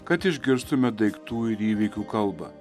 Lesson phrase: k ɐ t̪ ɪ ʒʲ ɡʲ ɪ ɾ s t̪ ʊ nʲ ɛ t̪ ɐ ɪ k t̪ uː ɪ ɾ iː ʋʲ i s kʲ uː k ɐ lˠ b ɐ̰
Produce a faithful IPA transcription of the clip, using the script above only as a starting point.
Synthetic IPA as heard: k ɐ t̪ ɪ ʒʲ ɡʲ ɪ ɾ s t̪ ʊ mʲ ɛ d̪ ɐ ɪ k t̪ uː ɪ ɾ iː ʋʲ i kʲ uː k ɐ lˠ b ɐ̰